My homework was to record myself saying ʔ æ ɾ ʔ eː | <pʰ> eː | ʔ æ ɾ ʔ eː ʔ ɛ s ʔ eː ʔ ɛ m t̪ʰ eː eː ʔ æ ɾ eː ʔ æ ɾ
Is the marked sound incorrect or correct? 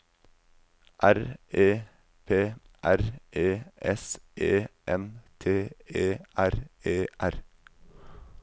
correct